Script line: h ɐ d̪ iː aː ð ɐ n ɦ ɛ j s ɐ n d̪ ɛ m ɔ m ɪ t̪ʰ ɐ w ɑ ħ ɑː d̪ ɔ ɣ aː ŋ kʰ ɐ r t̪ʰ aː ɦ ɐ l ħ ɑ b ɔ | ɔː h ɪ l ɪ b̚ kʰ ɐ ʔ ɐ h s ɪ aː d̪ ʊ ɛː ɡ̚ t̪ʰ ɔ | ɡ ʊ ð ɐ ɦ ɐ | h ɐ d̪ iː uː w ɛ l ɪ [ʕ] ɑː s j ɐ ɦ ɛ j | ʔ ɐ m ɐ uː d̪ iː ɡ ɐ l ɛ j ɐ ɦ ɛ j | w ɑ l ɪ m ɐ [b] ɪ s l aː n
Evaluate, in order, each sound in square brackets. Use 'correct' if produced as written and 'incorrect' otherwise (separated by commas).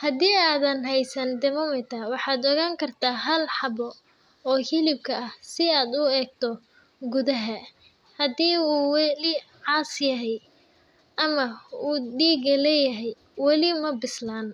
correct, correct